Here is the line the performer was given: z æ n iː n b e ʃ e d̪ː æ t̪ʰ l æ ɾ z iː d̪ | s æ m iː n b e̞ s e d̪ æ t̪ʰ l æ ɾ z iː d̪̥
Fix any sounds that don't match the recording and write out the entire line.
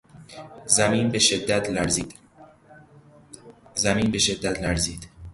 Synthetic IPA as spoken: z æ m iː n b e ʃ e d̪ː æ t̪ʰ l æ ɾ z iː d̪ | z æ m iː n b e̞ ʃ e d̪ː æ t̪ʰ l æ ɾ z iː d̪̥